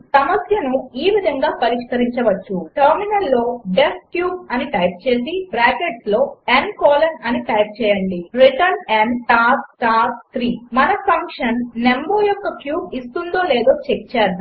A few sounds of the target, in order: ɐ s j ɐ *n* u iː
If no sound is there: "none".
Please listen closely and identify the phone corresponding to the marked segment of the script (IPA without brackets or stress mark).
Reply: n